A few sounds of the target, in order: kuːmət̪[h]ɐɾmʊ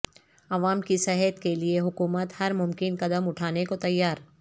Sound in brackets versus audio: correct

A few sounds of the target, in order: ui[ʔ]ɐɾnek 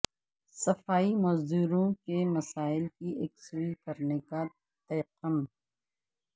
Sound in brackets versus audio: incorrect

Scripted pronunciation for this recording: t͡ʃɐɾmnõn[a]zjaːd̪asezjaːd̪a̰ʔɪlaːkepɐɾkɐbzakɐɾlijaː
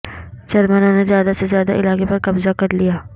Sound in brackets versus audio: incorrect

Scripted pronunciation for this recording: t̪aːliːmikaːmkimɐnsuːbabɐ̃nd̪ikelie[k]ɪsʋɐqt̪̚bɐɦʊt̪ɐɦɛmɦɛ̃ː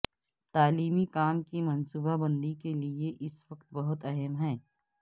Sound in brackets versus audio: incorrect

